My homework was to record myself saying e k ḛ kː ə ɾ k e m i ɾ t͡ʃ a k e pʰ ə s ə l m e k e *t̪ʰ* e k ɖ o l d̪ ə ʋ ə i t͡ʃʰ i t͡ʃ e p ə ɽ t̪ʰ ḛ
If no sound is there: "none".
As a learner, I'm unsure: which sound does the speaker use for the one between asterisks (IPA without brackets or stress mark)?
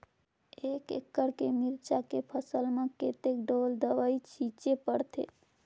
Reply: t̪